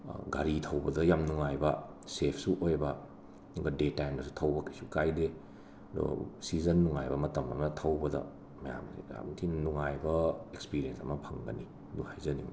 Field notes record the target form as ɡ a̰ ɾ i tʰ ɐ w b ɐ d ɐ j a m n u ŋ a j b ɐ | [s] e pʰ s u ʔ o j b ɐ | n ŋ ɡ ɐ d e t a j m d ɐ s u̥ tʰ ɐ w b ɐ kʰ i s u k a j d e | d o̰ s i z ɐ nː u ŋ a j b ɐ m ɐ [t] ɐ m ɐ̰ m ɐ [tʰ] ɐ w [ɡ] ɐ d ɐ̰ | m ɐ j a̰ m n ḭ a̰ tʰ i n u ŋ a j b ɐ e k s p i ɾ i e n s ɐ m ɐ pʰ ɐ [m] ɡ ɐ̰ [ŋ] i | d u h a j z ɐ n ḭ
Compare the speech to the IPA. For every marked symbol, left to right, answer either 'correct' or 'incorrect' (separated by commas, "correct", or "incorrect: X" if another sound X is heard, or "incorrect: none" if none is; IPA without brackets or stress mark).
correct, correct, correct, incorrect: b, incorrect: ŋ, incorrect: n